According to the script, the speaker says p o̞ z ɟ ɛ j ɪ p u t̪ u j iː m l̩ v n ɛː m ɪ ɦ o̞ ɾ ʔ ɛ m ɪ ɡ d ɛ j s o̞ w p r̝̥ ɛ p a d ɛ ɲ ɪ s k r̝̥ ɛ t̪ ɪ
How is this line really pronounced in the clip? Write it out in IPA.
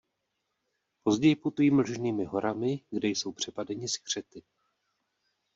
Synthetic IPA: p o̞ z ɟ ɛ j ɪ p u t̪ u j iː m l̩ ʒ n iː m ɪ ɦ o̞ ɾ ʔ a m ɪ ɡ d ɛ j s o̞ w p r̝̥ ɛ p a d ɛ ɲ ɪ s k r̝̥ ɛ t̪ ɪ